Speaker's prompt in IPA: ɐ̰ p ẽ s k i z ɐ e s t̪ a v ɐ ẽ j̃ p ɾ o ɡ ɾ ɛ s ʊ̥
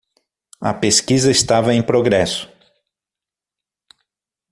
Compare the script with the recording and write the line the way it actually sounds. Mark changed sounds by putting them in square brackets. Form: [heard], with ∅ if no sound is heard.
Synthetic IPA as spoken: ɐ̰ p [e] s k i z ɐ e s t̪ a v ɐ ẽ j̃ p ɾ o ɡ ɾ ɛ s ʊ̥